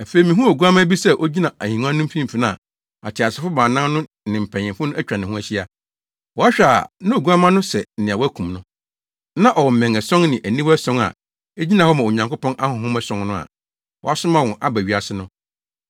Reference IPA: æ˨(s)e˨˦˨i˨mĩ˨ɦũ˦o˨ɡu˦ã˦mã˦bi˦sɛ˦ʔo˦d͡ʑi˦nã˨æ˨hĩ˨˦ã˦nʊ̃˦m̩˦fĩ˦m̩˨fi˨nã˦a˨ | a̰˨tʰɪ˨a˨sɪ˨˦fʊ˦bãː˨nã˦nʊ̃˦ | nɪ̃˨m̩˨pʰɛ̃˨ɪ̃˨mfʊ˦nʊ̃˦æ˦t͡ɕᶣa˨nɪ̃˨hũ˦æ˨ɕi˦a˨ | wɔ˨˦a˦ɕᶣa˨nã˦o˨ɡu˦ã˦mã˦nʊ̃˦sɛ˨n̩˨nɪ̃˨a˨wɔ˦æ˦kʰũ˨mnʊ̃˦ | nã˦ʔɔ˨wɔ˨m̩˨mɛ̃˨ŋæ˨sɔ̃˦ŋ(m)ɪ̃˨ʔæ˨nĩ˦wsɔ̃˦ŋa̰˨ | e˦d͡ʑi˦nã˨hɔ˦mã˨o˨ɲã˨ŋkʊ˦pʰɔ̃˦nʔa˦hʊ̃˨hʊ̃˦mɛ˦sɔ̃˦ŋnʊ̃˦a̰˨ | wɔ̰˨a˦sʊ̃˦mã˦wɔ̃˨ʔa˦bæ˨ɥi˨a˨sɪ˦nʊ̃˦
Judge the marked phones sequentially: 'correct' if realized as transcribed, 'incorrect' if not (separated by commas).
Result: incorrect, incorrect